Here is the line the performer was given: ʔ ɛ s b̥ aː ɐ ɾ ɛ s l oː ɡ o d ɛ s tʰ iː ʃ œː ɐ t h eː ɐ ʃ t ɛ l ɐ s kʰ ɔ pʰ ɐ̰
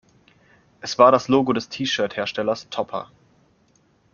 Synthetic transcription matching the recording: ʔ ɛ s v̥ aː ɐ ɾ a s l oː ɡ o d ɛ s tʰ iː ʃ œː ɐ t h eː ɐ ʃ t ɛ l ɐ s tʰ ɔ pʰ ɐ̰